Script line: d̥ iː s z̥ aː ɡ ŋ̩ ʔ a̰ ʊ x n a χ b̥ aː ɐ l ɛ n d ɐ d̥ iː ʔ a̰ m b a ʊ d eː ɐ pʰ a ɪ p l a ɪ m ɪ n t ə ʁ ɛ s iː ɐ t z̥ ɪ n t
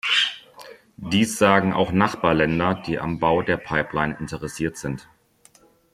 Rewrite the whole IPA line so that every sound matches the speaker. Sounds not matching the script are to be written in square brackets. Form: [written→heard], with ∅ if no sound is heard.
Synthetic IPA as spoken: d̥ iː s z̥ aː ɡ ŋ̩ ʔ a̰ ʊ x n a χ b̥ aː ɐ l ɛ n d ɐ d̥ iː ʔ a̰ m b a ʊ d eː ɐ pʰ a ɪ p l a ɪ [m→n] ɪ n t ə ʁ ɛ s iː ɐ t z̥ ɪ n t